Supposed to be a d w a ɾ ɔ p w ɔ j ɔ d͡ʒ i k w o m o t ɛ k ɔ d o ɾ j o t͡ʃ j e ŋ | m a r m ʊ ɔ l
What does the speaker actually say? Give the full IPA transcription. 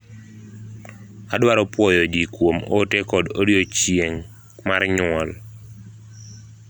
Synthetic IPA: a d w a ɾ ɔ p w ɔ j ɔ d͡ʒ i k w o m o t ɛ k ɔ d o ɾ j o t͡ʃ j e ŋ | m a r ɲ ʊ ɔ l